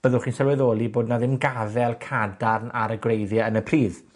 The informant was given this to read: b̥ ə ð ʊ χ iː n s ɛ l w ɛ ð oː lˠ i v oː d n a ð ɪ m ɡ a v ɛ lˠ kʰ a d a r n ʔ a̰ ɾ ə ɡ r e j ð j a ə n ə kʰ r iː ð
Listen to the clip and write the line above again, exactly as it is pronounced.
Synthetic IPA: b̥ ə ð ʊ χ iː n s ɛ l w ɛ ð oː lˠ i b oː d n a ð ɪ m ɡ a v ɛ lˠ kʰ a d a r n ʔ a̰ ɾ ə ɡ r e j ð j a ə n ə pʰ r iː ð